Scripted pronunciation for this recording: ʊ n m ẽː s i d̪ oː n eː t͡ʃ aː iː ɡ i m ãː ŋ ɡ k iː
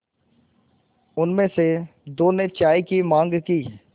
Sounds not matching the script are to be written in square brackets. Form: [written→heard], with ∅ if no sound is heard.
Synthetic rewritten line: ʊ n m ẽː s [i→e] d̪ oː n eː t͡ʃ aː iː [ɡ→k] i m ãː ŋ ɡ k iː